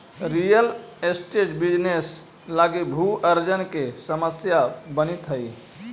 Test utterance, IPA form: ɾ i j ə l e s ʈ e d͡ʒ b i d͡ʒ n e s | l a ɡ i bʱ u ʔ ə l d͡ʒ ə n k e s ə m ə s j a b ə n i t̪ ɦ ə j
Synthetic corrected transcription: ɾ i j ə l e s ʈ e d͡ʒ b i d͡ʒ n e s | l a ɡ i bʱ u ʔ ə ɾ d͡ʒ ə n k e s ə m ə s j a b ə n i t̪ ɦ ə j